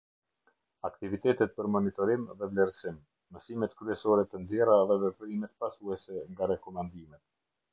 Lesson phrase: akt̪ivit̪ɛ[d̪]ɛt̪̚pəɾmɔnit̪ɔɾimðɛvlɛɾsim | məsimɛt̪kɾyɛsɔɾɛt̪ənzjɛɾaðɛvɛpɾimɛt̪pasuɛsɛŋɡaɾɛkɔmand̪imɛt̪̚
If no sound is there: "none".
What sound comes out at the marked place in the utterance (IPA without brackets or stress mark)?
t̪